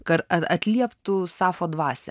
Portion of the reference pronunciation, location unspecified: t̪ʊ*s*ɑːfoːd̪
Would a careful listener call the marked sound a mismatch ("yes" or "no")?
no